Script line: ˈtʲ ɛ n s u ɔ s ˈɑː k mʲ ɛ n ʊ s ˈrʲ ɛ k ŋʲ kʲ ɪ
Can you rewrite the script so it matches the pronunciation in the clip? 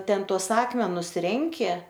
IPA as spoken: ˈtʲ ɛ n t u ɔ s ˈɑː k mʲ ɛ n ʊ s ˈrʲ ɛ ŋʲ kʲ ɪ